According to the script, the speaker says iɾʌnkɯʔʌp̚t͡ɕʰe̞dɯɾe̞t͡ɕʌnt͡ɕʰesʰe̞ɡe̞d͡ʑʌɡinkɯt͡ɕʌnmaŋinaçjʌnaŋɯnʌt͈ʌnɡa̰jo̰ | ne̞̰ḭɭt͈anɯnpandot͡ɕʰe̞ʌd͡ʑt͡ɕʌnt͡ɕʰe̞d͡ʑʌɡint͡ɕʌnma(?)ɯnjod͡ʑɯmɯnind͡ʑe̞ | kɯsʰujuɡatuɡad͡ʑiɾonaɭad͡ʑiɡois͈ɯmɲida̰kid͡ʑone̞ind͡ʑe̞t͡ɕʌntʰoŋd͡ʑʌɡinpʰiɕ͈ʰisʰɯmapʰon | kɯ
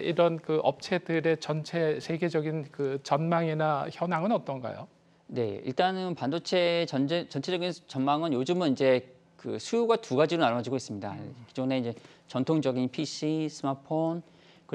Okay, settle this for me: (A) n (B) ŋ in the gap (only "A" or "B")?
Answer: B